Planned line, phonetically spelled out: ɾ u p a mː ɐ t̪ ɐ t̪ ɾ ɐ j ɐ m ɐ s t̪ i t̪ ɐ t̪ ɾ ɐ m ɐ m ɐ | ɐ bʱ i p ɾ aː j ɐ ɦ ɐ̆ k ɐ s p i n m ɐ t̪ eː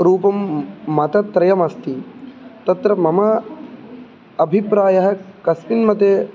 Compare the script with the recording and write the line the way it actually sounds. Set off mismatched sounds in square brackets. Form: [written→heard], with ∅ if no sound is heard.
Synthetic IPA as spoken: ɾ [u→uː] p [a→ɐ] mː ɐ t̪ ɐ t̪ ɾ ɐ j ɐ m ɐ s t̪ i t̪ ɐ t̪ ɾ ɐ m ɐ m ɐ | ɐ bʱ i p ɾ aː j ɐ ɦ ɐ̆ k ɐ s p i n m ɐ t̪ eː